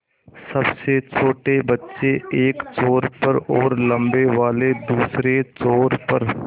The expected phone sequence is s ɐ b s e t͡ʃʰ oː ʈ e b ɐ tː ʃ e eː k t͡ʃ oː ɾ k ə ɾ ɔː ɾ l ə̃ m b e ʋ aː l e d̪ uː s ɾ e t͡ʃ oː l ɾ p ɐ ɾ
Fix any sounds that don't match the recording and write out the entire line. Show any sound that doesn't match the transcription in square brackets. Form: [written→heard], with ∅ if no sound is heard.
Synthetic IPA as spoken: s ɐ b s e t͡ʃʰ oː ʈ e b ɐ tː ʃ e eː k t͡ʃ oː ɾ [k→p] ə ɾ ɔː ɾ l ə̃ m b e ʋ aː l e d̪ uː s ɾ e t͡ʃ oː [l→∅] ɾ p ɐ ɾ